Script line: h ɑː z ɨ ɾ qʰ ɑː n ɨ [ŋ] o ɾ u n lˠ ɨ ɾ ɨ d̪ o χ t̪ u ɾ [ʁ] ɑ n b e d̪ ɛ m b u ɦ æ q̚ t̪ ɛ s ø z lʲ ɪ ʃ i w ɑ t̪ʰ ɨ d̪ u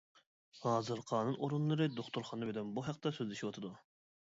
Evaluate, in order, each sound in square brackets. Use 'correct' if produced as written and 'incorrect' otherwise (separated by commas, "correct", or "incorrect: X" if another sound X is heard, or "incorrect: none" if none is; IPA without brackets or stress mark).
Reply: incorrect: n, incorrect: χ